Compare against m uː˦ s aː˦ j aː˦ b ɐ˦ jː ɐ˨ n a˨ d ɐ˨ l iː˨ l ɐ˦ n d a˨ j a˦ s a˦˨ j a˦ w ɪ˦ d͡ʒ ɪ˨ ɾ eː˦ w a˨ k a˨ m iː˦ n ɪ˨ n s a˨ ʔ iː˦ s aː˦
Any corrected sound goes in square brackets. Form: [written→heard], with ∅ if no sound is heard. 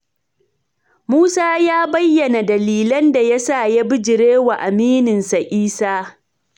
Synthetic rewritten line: m uː˦ s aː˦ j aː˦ b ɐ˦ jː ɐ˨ n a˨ d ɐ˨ l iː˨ l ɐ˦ n d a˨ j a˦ s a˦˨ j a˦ [w→b] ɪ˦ d͡ʒ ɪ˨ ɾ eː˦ w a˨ [k→ʔ] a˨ m iː˦ n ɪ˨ n s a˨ ʔ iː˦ s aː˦